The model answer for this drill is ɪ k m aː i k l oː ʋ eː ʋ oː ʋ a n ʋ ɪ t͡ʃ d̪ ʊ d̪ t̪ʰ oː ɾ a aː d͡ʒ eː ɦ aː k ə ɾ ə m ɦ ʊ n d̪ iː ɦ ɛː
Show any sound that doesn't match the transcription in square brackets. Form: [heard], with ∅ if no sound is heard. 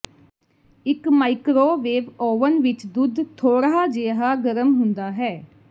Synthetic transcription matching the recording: ɪ k m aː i k [ɾ] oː ʋ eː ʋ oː ʋ [ə] n ʋ ɪ t͡ʃ d̪ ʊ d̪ t̪ʰ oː ɾ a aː d͡ʒ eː ɦ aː [ɡ] ə ɾ ə m ɦ ʊ n d̪ [aː] ɦ ɛː